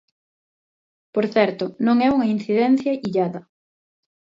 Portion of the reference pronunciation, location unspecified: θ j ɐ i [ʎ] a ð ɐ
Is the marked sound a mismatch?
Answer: no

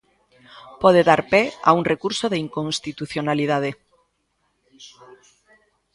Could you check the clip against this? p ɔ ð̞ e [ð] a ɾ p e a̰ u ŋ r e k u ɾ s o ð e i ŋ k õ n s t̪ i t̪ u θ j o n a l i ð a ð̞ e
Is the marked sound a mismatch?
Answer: no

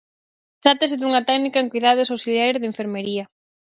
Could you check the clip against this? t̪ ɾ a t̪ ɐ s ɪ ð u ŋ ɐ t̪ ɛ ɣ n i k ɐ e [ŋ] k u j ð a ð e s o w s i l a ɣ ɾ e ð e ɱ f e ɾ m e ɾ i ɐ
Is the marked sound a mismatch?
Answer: no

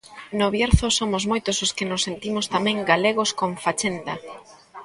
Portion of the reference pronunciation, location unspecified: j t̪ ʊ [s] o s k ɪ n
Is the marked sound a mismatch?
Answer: no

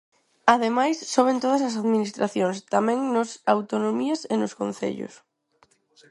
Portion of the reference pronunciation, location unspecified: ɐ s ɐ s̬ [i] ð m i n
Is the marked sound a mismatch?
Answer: yes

